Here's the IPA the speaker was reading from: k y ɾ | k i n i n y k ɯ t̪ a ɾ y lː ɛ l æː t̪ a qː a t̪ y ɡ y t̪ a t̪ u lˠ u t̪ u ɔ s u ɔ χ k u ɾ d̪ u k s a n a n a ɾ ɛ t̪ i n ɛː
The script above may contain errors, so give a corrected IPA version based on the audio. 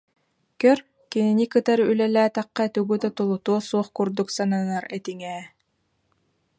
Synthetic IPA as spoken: k œ ɾ | k i n i n i k ɯ t̪ a ɾ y l ɛ l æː t̪ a qː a t̪ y ɡ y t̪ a t̪ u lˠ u t̪ u ɔ s u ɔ χ k u ɾ d̪ u k s a n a n a ɾ ɛ t̪ i ŋ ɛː